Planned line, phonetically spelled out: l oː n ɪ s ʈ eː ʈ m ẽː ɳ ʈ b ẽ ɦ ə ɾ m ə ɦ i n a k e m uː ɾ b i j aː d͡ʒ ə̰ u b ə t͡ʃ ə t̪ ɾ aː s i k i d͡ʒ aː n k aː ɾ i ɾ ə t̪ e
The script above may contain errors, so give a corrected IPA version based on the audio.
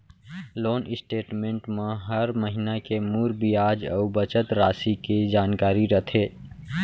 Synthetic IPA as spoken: l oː n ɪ s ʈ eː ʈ m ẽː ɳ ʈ m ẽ ɦ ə ɾ m ə ɦ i n a k e m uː ɾ b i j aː d͡ʒ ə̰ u b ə t͡ʃ ə t̪ ɾ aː s i k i d͡ʒ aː n k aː ɾ i ɾ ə t̪ʰ e